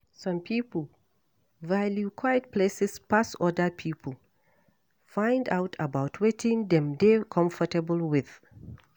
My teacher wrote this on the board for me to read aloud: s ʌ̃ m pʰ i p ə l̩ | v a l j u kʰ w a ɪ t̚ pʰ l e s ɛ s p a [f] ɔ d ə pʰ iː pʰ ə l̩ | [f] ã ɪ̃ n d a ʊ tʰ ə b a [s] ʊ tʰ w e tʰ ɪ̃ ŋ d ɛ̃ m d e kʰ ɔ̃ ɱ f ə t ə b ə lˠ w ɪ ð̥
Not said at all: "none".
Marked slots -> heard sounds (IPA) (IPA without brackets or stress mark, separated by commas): s, f, none